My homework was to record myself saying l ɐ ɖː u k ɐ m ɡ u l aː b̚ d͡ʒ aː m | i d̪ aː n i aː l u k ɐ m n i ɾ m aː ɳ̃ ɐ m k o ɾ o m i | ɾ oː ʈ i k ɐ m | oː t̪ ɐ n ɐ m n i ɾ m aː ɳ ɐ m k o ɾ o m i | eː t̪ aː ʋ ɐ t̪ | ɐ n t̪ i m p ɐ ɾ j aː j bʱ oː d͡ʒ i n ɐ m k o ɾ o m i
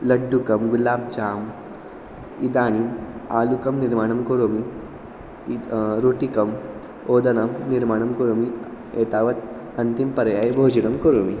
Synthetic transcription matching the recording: l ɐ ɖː u k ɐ m ɡ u l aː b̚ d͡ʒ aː m | i d̪ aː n i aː l u k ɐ m n i ɾ m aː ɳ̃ ɐ m k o ɾ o m i | ɾ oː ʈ i k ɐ m | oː d̪ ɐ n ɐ m n i ɾ m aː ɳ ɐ m k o ɾ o m i | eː t̪ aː ʋ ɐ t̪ | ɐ n t̪ i m p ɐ ɾ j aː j bʱ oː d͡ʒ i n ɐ m k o ɾ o m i

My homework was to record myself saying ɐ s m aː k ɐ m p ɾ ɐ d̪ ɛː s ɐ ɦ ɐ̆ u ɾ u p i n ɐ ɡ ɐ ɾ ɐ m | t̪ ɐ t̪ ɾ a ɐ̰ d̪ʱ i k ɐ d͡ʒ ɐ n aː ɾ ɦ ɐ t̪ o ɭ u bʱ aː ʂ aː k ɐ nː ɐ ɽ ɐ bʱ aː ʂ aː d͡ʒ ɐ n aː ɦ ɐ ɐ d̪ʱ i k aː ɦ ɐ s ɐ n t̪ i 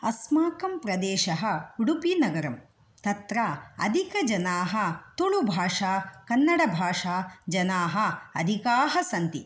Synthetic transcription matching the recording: ɐ s m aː k ɐ m p ɾ ɐ d̪ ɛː ʃ ɐ ɦ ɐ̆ u ɽ u p i n ɐ ɡ ɐ ɾ ɐ m | t̪ ɐ t̪ ɾ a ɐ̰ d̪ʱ i k ɐ d͡ʒ ɐ n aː ɦ ɐ t̪ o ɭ u bʱ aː ʂ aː k ɐ nː ɐ ɽ ɐ bʱ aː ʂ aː d͡ʒ ɐ n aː ɦ ɐ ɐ d̪ʱ i k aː ɦ ɐ s ɐ n t̪ i

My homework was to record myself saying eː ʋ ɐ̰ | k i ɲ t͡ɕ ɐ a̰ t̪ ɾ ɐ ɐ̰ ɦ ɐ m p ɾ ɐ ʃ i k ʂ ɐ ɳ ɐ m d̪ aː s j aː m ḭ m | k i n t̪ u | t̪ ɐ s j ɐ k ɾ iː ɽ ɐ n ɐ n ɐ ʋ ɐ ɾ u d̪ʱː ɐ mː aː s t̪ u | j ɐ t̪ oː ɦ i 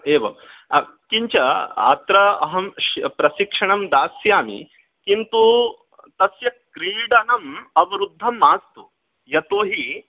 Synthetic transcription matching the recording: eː ʋ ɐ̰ | k i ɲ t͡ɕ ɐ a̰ t̪ ɾ ɐ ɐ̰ ɦ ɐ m p ɾ ɐ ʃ i k ʂ ɐ ɳ ɐ m d̪ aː s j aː m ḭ | k i n t̪ u | t̪ ɐ s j ɐ k ɾ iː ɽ ɐ n ɐ m ɐ ʋ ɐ ɾ u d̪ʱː ɐ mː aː s t̪ u | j ɐ t̪ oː ɦ i

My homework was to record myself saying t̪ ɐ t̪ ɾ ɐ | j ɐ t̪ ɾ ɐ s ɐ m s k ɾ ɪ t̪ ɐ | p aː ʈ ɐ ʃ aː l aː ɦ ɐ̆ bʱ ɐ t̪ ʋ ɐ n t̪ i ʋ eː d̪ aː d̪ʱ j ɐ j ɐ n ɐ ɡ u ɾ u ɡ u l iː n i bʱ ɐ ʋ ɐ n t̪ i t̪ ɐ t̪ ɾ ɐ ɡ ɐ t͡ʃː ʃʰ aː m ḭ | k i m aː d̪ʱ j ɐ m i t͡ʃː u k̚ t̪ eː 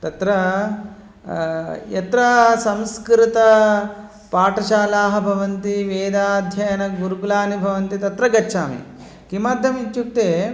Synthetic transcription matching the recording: t̪ ɐ t̪ ɾ ɐ | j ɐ t̪ ɾ ɐ s ɐ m s k ɾ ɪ t̪ ɐ | p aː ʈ ɐ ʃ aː l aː ɦ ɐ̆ bʱ ɐ ʋ ɐ n t̪ i ʋ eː d̪ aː d̪ʱ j ɐ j ɐ n ɐ ɡ u ɾ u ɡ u l aː n i bʱ ɐ ʋ ɐ n t̪ i t̪ ɐ t̪ ɾ ɐ ɡ ɐ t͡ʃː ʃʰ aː m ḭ | k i m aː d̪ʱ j ɐ m i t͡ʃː u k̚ t̪ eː

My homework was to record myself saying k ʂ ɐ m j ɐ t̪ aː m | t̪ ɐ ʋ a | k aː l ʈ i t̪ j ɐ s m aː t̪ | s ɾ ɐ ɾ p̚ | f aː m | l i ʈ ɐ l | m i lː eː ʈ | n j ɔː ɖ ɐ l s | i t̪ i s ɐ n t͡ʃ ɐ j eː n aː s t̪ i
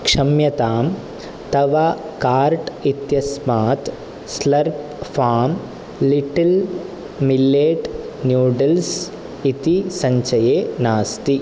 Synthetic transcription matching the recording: k ʂ ɐ m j ɐ t̪ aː m | t̪ ɐ ʋ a | k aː ɾ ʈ i t̪ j ɐ s m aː t̪ | s l ɐ ɾ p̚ | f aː m | l i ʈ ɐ l | m i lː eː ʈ | n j uː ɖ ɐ l s | i t̪ i s ɐ ɲ t͡ʃ ɐ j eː n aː s t̪ i

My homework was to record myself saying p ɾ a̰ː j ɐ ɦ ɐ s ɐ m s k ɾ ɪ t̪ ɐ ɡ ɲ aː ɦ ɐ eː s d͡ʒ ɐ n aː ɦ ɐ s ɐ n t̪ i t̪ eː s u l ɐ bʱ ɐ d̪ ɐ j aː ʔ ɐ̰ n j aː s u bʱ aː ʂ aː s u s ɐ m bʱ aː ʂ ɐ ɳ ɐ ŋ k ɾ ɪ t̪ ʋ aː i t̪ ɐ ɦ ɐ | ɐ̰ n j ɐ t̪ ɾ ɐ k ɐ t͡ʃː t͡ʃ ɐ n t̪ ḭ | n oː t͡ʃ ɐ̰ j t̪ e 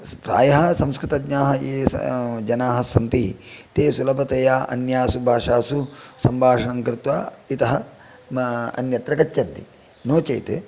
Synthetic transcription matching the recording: p ɾ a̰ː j ɐ ɦ ɐ s ɐ m s k ɾ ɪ t̪ ɐ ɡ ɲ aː ɦ ɐ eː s d͡ʒ ɐ n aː ɦ ɐ s ɐ n t̪ i t̪ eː s u l ɐ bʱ ɐ t̪ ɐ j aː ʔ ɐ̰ n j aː s u bʱ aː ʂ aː s u s ɐ m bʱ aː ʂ ɐ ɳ ɐ ŋ k ɾ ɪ t̪ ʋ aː i t̪ ɐ ɦ ɐ | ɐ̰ n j ɐ t̪ ɾ ɐ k ɐ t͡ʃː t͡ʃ ɐ n t̪ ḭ | n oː t͡ʃ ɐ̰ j t̪ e

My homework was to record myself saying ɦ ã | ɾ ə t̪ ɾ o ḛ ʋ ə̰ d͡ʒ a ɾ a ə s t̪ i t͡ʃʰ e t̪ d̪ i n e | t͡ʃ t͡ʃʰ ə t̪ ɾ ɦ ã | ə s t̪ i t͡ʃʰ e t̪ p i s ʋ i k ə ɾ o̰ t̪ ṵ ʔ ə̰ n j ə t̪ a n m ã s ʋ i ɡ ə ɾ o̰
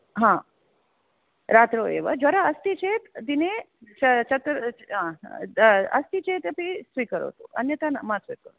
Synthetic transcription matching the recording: ɦ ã | ɾ a t̪ ɾ o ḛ ʋ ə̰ d͡ʒ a ɾ a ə s t̪ i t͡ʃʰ e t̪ d̪ i n e | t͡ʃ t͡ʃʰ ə t̪ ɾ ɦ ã | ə s t̪ i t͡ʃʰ e t̪ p i s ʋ i k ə ɾ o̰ t̪ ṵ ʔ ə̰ n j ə t̪ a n m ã s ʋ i k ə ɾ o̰

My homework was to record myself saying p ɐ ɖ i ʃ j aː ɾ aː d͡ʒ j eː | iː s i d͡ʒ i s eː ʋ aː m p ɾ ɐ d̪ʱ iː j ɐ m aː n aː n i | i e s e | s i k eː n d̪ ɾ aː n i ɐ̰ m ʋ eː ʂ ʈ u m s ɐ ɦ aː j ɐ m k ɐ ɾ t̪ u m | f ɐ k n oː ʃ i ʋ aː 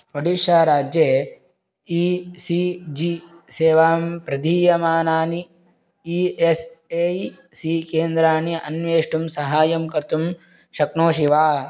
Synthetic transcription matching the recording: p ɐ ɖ i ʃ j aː ɾ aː d͡ʒ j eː | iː s i d͡ʒ i s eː ʋ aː m p ɾ ɐ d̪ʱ iː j ɐ m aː n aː n i | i e s e | s i k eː n d̪ ɾ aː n i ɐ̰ n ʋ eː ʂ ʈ u m s ɐ ɦ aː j ɐ m k ɐ ɾ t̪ u m | ʃ ɐ k n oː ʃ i ʋ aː

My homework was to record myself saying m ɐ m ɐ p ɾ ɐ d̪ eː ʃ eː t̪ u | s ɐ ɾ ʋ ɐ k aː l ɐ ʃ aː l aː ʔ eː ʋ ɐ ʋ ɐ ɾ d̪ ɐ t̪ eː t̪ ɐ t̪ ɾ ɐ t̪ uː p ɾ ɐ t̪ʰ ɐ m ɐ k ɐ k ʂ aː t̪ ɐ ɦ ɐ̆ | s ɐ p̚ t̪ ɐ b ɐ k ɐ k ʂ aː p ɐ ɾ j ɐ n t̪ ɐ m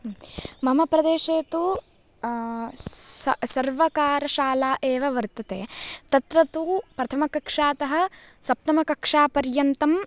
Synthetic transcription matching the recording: m ɐ m ɐ p ɾ ɐ d̪ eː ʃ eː t̪ u | s ɐ ɾ ʋ ɐ k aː ɾ ɐ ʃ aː l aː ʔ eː ʋ ɐ ʋ ɐ ɾ t̪ ɐ t̪ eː t̪ ɐ t̪ ɾ ɐ t̪ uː p ɾ ɐ t̪ʰ ɐ m ɐ k ɐ k ʂ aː t̪ ɐ ɦ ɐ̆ | s ɐ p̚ t̪ ɐ m ɐ k ɐ k ʂ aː p ɐ ɾ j ɐ n t̪ ɐ m

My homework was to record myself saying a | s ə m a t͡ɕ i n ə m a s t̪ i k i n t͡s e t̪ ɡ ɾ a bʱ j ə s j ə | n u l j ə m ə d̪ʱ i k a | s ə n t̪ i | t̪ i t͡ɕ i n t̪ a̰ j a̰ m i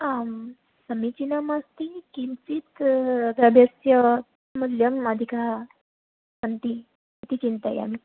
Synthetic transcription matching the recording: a | s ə m i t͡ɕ i n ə m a s t̪ i k i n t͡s i t̪ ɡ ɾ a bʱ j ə s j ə | m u l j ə m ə d̪ʱ i k a | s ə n t̪ i | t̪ i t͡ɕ i n t̪ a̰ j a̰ m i

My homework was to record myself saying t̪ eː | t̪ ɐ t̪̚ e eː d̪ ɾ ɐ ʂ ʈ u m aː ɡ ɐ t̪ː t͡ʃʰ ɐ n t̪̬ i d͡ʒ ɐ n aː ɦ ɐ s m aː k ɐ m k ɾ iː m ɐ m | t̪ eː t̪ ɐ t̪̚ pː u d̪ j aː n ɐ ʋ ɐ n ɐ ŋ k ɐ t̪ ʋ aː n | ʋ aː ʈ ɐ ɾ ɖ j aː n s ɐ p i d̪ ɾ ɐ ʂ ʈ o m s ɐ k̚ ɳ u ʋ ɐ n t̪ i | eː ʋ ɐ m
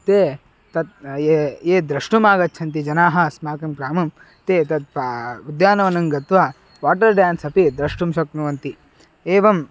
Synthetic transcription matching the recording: t̪ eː | t̪ ɐ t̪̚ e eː d̪ ɾ ɐ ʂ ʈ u m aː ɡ ɐ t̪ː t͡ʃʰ ɐ n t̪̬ i d͡ʒ ɐ n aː ɦ ɐ s m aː k ɐ m k ɾ aː m ɐ m | t̪ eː t̪ ɐ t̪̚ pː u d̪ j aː n ɐ ʋ ɐ n ɐ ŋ ɡ ɐ t̪ ʋ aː | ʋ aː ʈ ɐ ɾ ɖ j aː n s ɐ p i d̪ ɾ ɐ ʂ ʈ u m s ɐ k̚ n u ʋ ɐ n t̪ i | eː ʋ ɐ m

